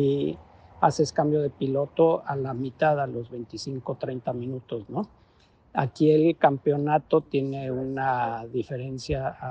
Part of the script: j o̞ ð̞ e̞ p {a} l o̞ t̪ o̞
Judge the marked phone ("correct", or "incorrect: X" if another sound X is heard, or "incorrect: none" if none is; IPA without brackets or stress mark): incorrect: i